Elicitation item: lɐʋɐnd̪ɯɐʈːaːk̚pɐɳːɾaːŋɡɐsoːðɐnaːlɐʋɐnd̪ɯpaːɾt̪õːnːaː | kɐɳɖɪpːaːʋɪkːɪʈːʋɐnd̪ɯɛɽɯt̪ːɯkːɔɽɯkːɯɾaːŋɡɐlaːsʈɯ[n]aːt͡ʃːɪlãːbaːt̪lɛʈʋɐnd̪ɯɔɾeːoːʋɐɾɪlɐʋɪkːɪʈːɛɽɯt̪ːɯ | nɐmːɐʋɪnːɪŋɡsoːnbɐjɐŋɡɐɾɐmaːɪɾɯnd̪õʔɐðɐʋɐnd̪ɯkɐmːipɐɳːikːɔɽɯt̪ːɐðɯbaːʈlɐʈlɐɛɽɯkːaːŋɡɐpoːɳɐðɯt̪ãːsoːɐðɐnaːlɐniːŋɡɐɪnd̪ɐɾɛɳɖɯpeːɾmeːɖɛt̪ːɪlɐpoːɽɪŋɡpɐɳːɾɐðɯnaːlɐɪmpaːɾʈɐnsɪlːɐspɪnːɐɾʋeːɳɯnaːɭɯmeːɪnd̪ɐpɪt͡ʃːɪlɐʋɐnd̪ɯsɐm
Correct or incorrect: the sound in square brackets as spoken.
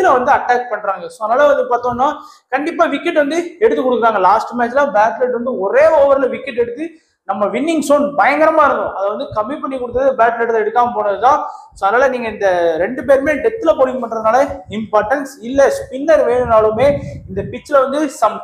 incorrect: m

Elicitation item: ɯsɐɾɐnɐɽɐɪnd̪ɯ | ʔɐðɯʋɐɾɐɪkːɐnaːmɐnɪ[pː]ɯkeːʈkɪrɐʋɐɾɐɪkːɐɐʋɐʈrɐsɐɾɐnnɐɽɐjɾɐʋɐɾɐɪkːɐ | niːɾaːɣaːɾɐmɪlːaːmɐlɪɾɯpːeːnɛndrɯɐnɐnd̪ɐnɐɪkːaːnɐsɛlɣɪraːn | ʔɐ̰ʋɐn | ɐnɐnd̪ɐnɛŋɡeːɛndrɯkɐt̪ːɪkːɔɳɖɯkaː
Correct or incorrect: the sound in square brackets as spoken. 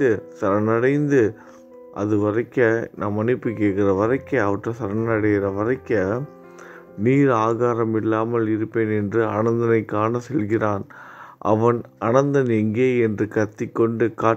correct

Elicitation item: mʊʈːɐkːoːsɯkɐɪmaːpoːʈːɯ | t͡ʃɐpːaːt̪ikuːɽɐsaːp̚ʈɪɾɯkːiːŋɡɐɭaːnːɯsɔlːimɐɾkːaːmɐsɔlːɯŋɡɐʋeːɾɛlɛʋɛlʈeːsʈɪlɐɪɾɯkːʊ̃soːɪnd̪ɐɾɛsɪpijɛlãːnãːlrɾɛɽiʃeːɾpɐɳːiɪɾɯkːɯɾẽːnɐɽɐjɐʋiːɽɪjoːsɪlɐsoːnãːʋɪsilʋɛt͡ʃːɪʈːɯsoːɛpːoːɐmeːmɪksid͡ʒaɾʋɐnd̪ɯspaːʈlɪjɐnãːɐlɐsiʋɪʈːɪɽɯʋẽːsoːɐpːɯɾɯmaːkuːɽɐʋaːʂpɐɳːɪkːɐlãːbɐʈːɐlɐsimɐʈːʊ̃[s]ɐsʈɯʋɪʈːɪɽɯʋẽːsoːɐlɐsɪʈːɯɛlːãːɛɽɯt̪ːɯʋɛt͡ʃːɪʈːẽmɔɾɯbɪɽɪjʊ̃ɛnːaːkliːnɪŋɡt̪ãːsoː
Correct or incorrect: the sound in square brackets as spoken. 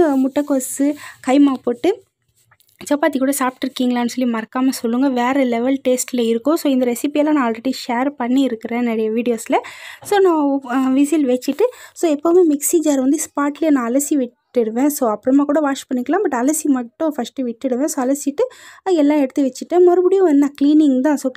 incorrect: f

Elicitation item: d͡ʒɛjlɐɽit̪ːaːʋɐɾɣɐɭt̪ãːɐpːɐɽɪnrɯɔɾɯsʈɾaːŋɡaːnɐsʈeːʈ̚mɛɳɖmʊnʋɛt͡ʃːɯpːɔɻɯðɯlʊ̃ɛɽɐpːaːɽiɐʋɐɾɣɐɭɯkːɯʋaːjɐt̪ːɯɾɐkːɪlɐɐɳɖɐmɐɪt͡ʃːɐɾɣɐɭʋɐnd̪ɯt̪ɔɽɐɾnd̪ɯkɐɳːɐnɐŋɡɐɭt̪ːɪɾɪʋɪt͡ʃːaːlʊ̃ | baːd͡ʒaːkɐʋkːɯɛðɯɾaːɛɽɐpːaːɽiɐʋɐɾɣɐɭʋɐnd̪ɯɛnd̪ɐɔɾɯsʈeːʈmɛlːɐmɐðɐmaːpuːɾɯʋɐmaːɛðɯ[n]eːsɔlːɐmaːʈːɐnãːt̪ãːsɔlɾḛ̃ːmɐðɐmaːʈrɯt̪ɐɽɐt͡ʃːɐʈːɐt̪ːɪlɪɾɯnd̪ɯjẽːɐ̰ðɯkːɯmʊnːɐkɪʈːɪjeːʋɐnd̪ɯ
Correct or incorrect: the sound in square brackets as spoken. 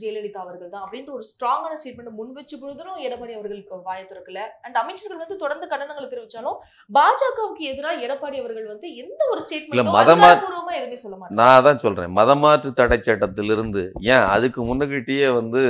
incorrect: m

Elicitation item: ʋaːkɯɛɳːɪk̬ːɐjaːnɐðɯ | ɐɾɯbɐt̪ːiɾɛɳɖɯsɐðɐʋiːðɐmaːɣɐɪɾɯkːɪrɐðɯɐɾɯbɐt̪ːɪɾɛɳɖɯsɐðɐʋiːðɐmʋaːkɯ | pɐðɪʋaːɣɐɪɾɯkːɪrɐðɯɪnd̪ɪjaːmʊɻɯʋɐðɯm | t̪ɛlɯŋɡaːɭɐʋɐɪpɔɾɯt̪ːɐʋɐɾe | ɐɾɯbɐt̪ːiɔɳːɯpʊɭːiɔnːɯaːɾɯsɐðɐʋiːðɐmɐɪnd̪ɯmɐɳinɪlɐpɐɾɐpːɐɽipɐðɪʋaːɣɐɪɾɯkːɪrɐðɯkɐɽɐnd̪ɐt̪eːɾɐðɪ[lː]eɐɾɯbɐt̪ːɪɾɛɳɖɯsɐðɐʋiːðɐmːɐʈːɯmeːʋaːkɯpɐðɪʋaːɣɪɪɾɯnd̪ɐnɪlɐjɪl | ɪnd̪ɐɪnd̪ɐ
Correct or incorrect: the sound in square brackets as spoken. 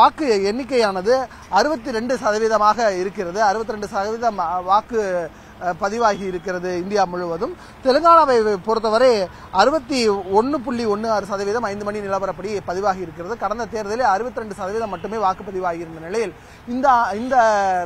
incorrect: l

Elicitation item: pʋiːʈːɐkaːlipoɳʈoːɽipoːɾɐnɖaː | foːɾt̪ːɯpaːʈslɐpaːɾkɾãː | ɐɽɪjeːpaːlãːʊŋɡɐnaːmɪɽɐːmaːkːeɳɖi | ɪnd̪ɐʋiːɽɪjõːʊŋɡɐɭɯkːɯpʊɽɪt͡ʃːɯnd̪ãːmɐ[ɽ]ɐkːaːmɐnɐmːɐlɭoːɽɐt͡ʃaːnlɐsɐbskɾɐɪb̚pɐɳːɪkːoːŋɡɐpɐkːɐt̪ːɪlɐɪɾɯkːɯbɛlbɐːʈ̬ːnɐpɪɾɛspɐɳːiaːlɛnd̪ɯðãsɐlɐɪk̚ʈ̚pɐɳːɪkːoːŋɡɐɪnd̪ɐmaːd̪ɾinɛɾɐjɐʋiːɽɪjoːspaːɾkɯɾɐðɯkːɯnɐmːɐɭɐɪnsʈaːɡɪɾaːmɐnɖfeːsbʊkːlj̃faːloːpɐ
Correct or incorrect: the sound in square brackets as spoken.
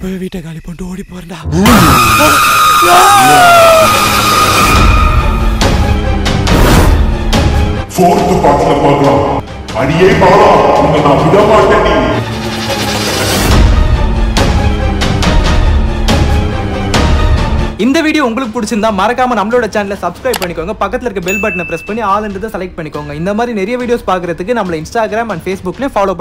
incorrect: ɾ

